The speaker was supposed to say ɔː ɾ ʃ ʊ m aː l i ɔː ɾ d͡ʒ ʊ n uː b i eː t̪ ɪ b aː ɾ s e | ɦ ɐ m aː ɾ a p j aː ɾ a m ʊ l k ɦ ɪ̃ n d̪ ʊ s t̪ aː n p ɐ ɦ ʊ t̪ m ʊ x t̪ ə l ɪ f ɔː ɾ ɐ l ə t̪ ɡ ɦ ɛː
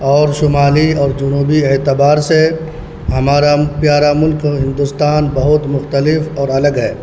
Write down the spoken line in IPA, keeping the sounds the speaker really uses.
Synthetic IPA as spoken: ɔː ɾ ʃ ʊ m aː l i ɔː ɾ d͡ʒ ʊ n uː b i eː t̪ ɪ b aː ɾ s e | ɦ ɐ m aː ɾ a p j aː ɾ a m ʊ l k ɦ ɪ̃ n d̪ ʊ s t̪ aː n b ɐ ɦ ʊ t̪ m ʊ x t̪ ə l ɪ f ɔː ɾ ɐ l ə ɡ ɦ ɛː